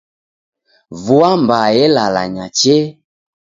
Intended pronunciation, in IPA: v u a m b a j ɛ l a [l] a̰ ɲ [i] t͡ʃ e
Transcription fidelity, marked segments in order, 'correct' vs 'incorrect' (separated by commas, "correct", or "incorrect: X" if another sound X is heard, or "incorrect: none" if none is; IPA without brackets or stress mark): correct, incorrect: a